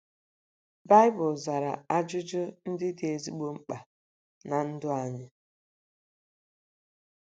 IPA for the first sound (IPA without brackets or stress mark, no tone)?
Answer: b